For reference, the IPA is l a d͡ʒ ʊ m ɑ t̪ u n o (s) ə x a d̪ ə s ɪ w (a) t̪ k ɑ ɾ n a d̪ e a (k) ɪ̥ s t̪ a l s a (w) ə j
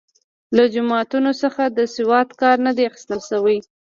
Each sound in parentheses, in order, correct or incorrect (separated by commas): correct, incorrect, incorrect, correct